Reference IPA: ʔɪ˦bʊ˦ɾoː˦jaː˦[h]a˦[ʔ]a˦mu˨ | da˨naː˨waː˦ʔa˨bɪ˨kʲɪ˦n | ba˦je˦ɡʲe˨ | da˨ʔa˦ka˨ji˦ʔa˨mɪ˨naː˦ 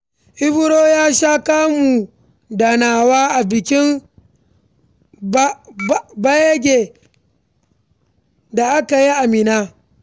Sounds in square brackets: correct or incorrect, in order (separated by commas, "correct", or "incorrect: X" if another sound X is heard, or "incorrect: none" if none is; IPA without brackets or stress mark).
incorrect: ʃ, incorrect: k